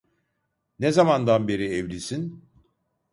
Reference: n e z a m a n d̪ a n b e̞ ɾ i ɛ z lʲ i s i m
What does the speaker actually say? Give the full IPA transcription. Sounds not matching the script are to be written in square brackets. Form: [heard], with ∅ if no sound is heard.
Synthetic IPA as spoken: n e z a m a n d̪ a n b e̞ ɾ i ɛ [v] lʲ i s i [n]